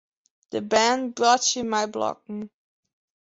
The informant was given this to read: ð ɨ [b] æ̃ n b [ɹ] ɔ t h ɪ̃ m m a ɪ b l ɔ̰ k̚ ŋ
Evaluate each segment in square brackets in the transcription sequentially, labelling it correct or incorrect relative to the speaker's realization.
correct, correct

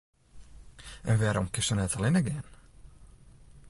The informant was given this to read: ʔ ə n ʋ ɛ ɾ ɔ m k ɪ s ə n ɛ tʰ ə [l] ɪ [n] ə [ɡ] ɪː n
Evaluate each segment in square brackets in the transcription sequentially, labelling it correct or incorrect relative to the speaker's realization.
correct, correct, correct

